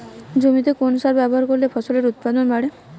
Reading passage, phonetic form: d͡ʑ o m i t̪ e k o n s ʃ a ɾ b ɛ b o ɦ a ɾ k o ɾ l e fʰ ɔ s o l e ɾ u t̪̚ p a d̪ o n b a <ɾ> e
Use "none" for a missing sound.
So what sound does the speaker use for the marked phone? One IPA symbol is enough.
ɽ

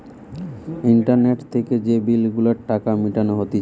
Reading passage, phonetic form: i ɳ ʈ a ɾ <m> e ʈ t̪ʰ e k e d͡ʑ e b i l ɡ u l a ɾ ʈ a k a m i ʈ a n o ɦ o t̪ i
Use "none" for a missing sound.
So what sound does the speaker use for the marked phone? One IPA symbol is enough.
n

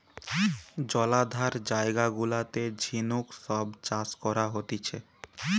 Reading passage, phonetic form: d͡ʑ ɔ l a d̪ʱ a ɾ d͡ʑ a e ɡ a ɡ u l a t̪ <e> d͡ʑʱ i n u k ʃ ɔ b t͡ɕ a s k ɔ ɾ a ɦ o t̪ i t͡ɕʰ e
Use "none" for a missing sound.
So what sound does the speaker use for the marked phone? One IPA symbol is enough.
e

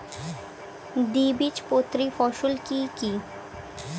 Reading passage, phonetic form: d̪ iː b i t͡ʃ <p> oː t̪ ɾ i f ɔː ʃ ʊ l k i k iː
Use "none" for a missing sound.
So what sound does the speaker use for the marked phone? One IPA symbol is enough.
p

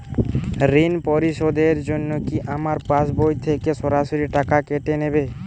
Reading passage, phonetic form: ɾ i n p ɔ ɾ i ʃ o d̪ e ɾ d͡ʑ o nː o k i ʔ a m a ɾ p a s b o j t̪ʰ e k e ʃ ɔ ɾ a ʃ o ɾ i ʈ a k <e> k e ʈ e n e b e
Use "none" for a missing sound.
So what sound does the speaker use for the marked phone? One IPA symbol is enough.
a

